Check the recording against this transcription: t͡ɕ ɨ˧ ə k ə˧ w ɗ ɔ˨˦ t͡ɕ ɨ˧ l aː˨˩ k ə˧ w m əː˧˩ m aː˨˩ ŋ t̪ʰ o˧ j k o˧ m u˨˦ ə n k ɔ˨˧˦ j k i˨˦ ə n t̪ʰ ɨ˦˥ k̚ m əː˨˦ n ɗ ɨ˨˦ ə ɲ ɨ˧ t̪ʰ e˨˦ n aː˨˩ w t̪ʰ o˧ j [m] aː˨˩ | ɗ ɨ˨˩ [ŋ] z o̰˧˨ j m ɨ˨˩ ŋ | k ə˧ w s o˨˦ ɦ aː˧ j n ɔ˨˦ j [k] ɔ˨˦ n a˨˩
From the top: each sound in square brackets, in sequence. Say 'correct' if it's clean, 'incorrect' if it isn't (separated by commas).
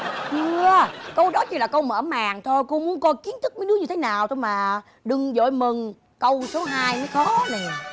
correct, correct, incorrect